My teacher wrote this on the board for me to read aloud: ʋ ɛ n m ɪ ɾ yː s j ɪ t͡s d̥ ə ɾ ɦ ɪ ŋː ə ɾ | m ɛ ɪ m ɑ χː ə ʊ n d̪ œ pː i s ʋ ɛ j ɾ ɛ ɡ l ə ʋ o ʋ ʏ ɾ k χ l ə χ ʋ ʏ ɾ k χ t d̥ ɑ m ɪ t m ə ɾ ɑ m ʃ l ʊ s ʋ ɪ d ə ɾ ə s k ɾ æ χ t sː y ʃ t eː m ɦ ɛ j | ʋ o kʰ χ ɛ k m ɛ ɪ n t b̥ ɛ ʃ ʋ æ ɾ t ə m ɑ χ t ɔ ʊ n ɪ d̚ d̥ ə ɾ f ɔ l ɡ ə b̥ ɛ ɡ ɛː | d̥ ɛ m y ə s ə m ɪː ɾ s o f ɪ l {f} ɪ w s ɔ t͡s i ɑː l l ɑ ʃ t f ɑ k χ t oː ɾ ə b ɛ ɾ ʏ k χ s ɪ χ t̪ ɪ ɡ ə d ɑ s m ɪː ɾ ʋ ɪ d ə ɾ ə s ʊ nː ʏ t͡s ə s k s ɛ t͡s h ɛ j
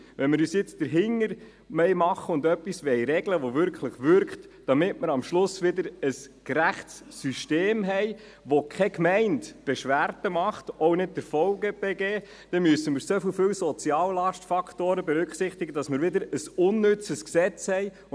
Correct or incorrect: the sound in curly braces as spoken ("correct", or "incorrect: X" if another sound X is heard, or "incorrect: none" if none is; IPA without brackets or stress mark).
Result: correct